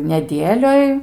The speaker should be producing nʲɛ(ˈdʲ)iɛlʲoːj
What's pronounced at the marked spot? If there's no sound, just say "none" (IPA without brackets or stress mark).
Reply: dʲ